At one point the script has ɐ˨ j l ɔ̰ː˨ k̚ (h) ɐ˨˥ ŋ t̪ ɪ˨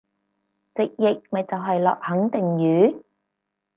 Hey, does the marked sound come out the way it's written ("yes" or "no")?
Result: yes